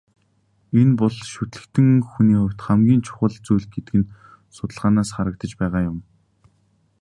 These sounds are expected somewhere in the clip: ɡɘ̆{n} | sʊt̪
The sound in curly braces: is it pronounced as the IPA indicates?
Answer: yes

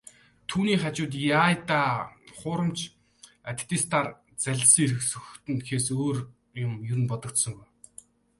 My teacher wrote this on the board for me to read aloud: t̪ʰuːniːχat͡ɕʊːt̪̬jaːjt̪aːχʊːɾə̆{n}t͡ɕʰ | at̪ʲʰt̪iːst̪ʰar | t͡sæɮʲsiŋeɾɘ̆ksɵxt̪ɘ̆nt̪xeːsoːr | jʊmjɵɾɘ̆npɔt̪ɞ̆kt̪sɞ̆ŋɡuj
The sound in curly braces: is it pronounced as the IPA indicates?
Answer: no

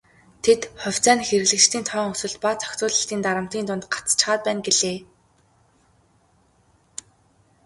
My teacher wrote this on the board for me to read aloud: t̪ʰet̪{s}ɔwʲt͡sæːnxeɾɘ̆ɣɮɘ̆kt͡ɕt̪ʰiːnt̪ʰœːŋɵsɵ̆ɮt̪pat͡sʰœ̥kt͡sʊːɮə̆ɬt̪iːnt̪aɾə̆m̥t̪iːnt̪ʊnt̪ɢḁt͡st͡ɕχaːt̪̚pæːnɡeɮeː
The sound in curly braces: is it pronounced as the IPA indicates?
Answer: no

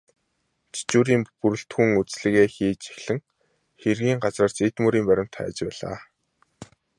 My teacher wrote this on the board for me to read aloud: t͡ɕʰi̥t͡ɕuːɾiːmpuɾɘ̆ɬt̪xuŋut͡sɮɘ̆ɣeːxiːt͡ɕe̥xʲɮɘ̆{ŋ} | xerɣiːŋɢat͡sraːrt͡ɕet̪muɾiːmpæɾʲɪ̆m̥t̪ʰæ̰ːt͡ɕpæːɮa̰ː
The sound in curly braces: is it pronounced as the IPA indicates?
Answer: yes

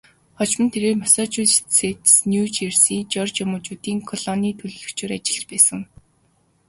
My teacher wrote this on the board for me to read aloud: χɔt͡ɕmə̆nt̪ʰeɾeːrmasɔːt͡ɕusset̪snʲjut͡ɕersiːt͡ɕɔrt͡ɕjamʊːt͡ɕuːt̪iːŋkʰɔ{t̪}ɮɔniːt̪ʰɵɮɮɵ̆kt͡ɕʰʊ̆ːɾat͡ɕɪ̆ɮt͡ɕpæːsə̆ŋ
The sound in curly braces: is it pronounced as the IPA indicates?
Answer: no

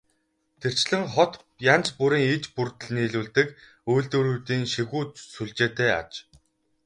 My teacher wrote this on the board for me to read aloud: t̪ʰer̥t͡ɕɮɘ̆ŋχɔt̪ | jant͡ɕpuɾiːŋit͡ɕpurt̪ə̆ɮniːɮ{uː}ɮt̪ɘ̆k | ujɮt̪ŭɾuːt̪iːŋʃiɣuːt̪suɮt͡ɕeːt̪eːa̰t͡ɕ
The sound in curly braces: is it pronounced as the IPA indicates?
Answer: yes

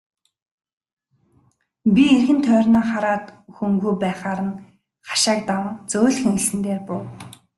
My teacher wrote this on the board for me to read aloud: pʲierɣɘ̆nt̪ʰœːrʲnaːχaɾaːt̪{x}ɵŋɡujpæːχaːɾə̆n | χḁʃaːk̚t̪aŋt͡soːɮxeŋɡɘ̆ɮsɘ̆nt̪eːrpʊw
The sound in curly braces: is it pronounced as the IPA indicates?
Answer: yes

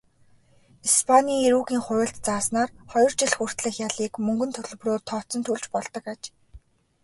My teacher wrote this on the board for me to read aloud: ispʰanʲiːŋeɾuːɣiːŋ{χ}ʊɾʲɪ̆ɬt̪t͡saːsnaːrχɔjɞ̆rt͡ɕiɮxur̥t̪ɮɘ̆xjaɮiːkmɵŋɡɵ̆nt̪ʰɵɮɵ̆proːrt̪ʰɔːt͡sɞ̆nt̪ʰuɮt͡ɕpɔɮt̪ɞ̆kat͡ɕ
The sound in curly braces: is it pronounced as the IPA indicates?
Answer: yes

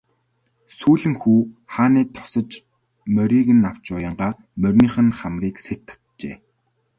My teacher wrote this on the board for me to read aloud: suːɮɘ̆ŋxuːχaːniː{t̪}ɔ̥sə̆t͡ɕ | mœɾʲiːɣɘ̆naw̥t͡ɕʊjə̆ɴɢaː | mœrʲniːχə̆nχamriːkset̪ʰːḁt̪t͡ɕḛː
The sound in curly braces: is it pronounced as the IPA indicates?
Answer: no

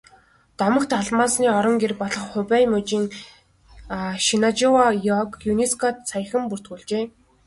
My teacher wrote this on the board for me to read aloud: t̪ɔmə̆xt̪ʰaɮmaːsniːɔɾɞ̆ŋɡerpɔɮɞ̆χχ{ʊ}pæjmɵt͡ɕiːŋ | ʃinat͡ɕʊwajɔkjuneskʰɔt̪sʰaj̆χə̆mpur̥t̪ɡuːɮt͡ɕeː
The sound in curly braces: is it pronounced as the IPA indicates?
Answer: yes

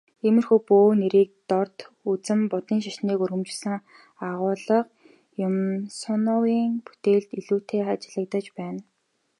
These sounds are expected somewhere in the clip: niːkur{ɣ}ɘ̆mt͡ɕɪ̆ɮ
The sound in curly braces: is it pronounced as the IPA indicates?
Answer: yes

